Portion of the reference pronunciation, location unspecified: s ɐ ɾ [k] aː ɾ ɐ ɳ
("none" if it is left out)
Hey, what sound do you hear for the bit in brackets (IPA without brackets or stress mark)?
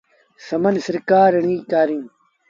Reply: k